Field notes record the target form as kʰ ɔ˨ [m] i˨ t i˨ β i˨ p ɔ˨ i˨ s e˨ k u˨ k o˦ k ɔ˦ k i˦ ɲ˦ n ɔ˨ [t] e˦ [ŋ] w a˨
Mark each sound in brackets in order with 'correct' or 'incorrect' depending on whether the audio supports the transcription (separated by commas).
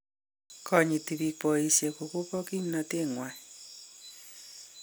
incorrect, correct, correct